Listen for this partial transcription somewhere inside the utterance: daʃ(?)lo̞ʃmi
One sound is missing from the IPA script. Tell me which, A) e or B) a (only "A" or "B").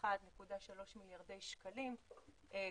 B